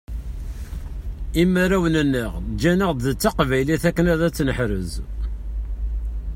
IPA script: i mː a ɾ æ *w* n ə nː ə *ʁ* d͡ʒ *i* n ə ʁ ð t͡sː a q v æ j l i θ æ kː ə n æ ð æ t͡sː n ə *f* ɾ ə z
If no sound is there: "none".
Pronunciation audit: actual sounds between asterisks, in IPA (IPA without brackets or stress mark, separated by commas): w, ʁ, æ, ħ